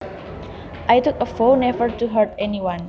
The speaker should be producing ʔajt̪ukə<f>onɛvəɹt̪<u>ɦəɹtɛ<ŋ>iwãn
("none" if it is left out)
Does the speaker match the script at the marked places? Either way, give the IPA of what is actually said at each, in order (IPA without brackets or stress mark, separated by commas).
f, u, n